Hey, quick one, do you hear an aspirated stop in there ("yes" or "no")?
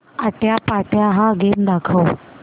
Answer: yes